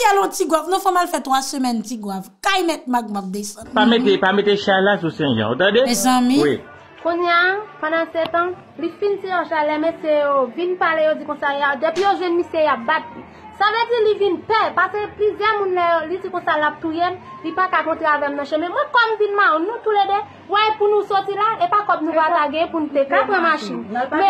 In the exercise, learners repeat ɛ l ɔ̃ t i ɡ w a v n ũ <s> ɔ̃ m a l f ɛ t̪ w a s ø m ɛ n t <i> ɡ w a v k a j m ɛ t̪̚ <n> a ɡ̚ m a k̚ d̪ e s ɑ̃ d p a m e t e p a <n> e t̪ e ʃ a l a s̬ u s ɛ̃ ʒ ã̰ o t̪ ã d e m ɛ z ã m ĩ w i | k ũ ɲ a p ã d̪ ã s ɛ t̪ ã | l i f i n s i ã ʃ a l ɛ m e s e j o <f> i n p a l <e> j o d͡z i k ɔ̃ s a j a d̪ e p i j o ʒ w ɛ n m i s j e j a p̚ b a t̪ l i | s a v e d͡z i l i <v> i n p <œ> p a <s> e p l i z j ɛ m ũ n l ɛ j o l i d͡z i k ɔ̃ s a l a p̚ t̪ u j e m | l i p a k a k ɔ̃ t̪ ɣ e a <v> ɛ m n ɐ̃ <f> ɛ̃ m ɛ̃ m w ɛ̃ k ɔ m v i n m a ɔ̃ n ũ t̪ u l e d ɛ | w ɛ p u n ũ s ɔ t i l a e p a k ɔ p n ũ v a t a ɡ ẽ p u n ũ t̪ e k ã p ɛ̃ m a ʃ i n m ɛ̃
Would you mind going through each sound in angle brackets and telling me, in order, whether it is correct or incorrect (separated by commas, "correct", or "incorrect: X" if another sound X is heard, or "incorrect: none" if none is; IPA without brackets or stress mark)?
incorrect: f, correct, incorrect: m, incorrect: m, incorrect: v, correct, correct, incorrect: ɛ, correct, correct, incorrect: ʃ